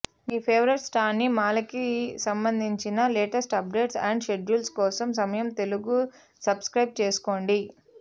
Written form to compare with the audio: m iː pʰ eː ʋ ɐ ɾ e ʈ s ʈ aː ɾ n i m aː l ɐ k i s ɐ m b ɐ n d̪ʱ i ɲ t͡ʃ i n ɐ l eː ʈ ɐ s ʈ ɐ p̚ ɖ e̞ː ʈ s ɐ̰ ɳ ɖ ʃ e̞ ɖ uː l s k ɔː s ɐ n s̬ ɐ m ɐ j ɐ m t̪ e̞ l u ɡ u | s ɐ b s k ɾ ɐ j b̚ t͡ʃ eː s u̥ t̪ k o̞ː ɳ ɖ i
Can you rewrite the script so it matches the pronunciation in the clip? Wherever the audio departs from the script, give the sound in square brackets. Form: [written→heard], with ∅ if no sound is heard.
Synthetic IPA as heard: m iː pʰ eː ʋ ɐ ɾ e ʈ s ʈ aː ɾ n i m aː l ɐ k i s ɐ m b ɐ n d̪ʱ i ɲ t͡ʃ i n ɐ l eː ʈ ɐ s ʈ ɐ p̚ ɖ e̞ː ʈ s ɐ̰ ɳ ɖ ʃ e̞ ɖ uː l s k ɔː s ɐ [n→m] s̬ ɐ m ɐ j ɐ m t̪ e̞ l u ɡ u | s ɐ b s k ɾ ɐ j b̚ t͡ʃ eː s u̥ [t̪→∅] k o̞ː ɳ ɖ i